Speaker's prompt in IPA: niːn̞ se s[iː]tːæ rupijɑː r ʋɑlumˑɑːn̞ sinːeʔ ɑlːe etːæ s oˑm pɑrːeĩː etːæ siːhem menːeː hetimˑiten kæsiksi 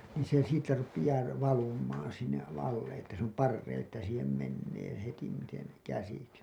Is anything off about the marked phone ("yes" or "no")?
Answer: no